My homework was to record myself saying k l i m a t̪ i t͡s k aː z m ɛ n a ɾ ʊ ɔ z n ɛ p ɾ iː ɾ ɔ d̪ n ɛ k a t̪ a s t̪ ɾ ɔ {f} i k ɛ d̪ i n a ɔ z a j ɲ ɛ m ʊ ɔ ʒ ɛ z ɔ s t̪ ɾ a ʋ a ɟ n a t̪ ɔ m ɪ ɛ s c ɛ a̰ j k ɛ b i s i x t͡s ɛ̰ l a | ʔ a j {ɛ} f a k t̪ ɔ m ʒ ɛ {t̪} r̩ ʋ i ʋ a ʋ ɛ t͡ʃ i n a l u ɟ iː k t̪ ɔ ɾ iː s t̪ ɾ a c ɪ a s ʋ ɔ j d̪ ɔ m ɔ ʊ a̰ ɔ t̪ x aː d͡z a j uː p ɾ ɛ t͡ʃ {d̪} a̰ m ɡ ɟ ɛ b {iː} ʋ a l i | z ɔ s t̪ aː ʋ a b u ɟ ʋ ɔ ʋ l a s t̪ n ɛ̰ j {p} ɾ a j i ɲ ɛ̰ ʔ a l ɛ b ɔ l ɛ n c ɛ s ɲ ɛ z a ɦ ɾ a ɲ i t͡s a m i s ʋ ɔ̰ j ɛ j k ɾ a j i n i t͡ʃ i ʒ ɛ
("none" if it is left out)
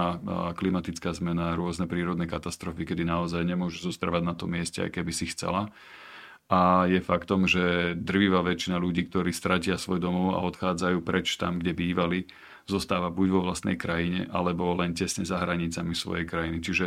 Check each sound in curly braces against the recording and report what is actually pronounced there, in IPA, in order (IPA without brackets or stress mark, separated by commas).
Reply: f, ɛ, d̪, t̪, iː, k